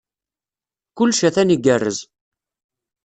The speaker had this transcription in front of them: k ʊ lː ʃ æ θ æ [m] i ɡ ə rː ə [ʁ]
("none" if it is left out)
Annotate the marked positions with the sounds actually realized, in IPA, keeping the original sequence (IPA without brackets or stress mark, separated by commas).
n, z